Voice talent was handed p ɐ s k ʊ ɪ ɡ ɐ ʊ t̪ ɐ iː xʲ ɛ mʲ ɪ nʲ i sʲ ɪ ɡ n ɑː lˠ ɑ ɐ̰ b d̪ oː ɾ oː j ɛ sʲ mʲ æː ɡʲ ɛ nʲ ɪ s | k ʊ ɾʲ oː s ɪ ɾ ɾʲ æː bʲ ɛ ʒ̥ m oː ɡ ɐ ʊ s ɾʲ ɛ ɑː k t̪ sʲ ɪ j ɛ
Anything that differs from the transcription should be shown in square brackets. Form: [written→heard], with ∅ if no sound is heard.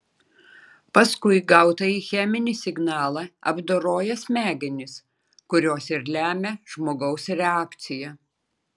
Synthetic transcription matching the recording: p ɐ s k ʊ ɪ ɡ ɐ ʊ t̪ ɐ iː xʲ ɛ mʲ ɪ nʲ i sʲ ɪ ɡ n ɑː lˠ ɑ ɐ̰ b d̪ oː ɾ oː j ɛ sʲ mʲ æː ɡʲ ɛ nʲ ɪ s | k ʊ ɾʲ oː s ɪ ɾ [ɾʲ→lʲ] æː [bʲ→mʲ] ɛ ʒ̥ m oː ɡ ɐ ʊ s ɾʲ ɛ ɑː k t̪ sʲ ɪ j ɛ